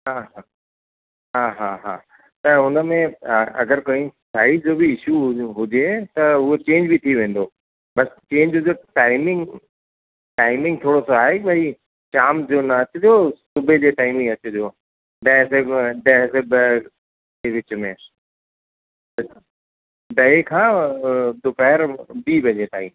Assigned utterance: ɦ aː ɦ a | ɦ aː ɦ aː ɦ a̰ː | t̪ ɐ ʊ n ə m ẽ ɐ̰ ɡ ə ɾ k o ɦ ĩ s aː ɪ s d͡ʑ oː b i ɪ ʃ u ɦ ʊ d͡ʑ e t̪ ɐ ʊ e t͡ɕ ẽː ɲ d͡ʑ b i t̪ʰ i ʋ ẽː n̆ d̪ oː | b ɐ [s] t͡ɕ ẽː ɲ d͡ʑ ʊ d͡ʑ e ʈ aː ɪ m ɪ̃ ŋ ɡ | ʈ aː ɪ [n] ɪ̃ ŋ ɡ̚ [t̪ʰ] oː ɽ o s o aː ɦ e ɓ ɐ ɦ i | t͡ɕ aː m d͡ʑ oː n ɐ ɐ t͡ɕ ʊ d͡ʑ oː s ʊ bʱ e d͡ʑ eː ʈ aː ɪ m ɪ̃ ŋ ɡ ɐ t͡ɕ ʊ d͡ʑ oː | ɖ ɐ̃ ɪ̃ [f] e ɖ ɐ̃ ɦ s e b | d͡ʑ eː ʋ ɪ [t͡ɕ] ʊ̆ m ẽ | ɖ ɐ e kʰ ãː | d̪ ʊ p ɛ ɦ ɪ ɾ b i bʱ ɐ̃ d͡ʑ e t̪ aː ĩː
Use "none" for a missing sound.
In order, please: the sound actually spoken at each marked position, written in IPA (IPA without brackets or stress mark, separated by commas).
s, m, t̪ʰ, s, t͡ɕ